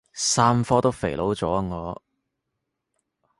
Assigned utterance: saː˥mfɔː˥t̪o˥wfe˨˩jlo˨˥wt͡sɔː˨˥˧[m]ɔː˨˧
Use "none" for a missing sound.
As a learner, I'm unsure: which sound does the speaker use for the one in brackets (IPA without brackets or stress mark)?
ŋ